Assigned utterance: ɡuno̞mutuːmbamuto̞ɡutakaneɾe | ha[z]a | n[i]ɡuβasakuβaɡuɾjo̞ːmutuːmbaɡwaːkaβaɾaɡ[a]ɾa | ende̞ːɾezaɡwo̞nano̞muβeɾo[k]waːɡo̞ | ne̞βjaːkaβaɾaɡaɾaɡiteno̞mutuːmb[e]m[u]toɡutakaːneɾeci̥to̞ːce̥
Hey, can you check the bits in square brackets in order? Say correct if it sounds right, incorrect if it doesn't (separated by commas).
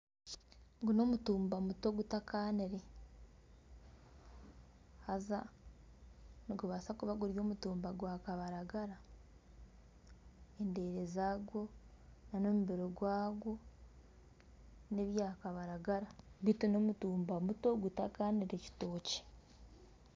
correct, correct, correct, incorrect, incorrect, correct